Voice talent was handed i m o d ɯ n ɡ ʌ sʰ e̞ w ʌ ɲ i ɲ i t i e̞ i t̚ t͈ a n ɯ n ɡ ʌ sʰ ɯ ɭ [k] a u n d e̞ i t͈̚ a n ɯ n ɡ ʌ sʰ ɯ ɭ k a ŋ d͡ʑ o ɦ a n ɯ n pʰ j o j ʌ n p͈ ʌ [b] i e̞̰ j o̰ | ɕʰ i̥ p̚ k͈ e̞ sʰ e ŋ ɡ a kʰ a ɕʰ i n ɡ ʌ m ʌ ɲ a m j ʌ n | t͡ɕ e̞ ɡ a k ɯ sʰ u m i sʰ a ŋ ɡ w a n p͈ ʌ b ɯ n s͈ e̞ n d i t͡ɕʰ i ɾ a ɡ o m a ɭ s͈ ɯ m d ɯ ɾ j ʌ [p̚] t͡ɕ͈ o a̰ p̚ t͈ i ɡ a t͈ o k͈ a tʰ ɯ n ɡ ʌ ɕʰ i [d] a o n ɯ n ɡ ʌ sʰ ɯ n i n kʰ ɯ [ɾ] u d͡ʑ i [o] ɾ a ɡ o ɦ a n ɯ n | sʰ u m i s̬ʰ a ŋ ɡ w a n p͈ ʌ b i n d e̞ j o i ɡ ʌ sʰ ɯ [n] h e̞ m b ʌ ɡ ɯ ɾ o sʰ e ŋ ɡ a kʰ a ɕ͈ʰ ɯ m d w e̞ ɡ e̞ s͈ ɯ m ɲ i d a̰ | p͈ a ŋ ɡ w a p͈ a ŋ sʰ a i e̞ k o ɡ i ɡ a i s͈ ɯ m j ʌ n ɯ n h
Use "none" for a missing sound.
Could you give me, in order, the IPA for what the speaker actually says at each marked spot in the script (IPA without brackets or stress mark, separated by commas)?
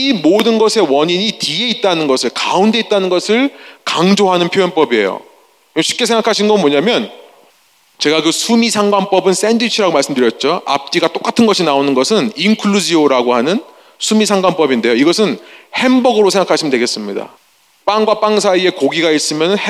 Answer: k, b, t̚, n, ɭ, o, n